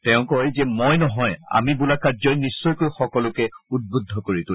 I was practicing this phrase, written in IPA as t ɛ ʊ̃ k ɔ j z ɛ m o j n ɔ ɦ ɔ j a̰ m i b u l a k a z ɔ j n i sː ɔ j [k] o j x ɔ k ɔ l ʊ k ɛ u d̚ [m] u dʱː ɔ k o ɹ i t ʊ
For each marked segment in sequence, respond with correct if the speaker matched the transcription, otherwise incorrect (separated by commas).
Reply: correct, incorrect